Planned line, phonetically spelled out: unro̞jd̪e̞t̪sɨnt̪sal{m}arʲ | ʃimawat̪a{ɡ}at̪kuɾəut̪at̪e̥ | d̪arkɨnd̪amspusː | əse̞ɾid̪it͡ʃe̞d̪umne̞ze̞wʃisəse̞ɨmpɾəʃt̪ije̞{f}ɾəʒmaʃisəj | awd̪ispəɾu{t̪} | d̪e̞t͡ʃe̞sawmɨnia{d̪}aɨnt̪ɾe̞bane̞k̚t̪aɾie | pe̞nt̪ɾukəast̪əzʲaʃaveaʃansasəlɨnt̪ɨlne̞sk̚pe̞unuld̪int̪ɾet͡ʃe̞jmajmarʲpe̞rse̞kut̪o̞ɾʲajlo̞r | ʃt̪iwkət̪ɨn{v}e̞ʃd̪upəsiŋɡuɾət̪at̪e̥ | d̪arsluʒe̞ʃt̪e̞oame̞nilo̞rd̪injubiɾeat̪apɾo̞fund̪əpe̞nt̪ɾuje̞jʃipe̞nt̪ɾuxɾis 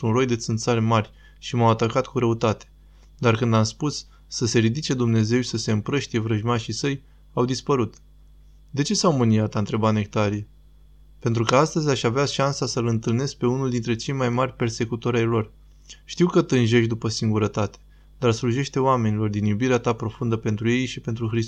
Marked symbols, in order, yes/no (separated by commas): yes, no, no, yes, no, no